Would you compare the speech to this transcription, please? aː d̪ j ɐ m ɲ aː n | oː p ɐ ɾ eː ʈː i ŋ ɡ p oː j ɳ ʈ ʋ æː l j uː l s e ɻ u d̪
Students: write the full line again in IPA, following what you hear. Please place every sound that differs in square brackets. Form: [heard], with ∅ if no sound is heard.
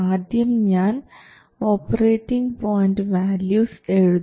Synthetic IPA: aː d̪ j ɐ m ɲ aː n | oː p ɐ ɾ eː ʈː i ŋ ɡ p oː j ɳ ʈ ʋ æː l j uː [∅] s e ɻ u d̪